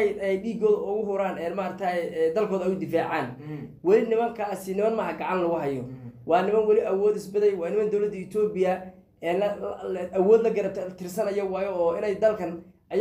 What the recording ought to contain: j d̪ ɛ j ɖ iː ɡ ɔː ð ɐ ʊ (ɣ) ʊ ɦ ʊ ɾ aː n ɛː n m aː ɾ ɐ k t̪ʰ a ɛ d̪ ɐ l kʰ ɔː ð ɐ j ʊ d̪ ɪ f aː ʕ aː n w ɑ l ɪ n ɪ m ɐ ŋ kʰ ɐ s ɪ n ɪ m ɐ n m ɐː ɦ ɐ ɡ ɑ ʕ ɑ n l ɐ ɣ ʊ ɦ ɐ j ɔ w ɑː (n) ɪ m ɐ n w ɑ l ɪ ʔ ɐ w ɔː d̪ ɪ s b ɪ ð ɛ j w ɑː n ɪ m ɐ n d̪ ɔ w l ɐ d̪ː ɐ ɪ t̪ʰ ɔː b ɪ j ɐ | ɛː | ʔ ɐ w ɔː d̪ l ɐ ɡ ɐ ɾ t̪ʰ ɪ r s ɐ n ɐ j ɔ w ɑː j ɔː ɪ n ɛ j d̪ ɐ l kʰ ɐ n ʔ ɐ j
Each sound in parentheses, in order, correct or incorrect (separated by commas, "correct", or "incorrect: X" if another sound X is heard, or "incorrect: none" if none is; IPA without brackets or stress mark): correct, correct